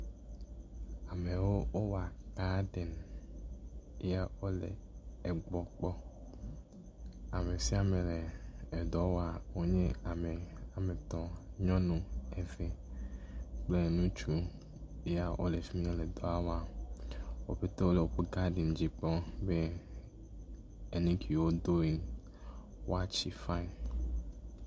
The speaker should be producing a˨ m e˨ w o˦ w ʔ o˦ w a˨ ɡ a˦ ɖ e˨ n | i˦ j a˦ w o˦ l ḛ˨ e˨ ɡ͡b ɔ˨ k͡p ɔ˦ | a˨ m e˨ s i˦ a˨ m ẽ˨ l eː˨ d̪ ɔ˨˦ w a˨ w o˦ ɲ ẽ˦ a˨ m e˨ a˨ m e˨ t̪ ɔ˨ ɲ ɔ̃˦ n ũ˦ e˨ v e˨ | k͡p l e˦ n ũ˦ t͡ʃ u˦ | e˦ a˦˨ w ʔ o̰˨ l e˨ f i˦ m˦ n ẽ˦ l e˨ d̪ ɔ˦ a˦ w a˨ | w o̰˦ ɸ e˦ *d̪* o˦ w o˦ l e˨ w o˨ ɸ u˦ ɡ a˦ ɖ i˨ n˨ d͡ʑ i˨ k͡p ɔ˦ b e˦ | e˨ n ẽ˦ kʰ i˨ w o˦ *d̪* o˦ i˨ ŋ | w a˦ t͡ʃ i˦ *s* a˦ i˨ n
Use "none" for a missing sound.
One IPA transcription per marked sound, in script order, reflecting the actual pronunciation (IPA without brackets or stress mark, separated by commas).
t̪, d̪, f